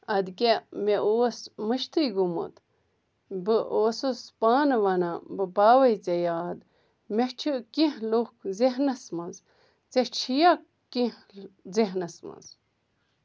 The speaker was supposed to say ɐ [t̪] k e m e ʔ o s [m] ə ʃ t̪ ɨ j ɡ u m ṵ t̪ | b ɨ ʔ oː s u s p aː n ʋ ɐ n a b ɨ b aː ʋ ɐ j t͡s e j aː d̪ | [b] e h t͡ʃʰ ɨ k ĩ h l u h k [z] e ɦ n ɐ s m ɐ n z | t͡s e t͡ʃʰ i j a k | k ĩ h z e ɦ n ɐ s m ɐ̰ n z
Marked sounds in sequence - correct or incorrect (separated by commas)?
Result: incorrect, correct, incorrect, correct